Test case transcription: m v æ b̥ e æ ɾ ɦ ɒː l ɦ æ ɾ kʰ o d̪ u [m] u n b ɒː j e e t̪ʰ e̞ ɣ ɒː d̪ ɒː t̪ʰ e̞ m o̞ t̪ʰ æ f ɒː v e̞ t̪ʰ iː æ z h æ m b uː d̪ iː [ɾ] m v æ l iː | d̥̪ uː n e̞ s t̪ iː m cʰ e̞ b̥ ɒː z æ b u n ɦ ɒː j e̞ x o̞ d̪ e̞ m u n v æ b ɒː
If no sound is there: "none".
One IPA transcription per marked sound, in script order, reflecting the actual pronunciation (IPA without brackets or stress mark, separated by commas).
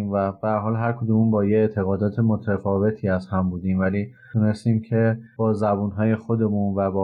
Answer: m, none